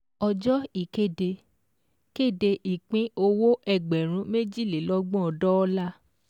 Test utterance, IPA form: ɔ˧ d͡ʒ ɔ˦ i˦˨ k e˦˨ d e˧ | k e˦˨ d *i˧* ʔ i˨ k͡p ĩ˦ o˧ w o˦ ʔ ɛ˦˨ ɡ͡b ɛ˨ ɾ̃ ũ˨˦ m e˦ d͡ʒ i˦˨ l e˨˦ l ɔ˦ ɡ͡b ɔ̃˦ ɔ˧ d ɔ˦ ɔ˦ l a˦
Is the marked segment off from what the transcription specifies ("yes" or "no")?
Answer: yes